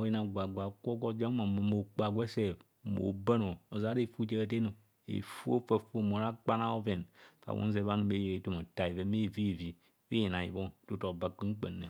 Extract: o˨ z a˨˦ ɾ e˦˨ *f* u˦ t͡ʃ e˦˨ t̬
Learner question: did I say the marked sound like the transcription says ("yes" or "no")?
yes